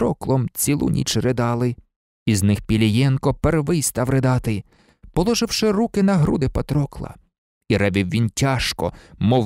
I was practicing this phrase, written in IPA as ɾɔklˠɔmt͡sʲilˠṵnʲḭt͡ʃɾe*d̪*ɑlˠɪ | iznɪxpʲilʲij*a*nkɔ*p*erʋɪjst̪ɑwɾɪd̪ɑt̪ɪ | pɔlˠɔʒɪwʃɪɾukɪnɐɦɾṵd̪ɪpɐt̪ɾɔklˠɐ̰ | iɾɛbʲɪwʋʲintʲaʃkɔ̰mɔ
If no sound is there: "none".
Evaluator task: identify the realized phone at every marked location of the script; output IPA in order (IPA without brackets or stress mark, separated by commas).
d̪, ɛ, p